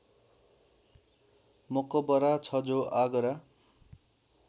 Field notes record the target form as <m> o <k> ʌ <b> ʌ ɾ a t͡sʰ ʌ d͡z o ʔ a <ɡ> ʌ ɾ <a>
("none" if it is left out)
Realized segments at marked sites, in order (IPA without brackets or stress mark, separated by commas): m, k, b, ɡ, a